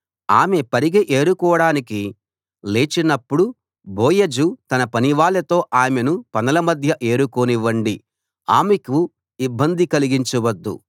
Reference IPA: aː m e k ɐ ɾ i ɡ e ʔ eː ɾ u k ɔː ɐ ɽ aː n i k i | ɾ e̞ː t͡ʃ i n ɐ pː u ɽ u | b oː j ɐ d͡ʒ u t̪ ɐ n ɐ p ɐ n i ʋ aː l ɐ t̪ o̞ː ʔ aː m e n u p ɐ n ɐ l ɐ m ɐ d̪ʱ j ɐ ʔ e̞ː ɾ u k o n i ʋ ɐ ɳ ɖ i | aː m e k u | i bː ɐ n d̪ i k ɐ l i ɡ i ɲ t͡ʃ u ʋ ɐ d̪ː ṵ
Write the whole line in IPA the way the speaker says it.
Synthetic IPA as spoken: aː m e p ɐ ɾ i ɡ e ʔ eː ɾ u k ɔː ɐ ɽ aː n i k i | l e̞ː t͡ʃ i n ɐ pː u ɽ u | b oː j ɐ d͡ʒ u t̪ ɐ n ɐ p ɐ n i ʋ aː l ɐ t̪ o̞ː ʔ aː m e n u p ɐ n ɐ l ɐ m ɐ d̪ʱ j ɐ ʔ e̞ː ɾ u k o n i ʋ ɐ ɳ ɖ i | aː m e k u | i bː ɐ n d̪ i k ɐ l i ɡ i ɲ t͡ʃ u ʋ ɐ d̪ː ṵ